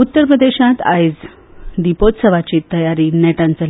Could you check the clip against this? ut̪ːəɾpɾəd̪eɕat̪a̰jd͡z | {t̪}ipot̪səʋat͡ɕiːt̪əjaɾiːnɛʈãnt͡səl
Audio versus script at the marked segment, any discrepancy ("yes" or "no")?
yes